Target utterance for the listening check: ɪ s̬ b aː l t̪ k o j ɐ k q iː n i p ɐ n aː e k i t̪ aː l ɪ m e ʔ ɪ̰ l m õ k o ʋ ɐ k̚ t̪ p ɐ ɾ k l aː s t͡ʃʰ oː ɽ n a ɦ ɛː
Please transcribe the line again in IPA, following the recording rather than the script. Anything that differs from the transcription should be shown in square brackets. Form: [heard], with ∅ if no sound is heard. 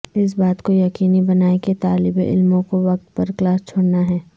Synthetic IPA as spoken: ɪ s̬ b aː [∅] t̪ k o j ɐ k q iː n i [b] ɐ n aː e k [e] t̪ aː l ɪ [b] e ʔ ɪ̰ l m õ k o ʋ ɐ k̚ t̪ p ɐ ɾ k l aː s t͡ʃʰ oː ɽ n a ɦ ɛː